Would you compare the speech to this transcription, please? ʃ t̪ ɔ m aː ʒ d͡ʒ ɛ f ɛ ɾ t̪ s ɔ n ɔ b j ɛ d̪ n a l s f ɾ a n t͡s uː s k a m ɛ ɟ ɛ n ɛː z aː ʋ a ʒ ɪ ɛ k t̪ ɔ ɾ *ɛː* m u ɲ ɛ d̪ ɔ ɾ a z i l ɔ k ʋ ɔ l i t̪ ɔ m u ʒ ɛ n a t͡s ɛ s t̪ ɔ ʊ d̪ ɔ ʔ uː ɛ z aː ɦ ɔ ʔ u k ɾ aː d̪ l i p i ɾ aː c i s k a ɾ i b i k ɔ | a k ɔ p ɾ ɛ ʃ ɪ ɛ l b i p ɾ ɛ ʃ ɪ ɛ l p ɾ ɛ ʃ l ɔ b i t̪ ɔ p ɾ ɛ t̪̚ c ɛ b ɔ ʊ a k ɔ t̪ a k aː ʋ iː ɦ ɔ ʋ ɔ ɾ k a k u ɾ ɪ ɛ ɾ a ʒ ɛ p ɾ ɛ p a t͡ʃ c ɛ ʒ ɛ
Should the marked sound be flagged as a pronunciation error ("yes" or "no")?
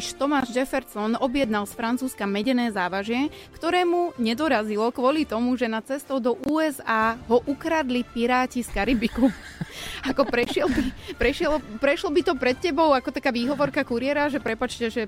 no